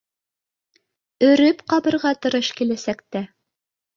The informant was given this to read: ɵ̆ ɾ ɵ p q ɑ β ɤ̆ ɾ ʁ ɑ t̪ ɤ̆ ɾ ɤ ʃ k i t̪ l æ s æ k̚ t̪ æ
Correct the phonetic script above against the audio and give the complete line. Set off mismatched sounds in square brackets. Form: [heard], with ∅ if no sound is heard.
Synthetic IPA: ɵ̆ ɾ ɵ p q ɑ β ɤ̆ ɾ ʁ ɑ t̪ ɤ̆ ɾ ɤ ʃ k i [∅] l æ s æ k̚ t̪ æ